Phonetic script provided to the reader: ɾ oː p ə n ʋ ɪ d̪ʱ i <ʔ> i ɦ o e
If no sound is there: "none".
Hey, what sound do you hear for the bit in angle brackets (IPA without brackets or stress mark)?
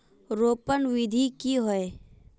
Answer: k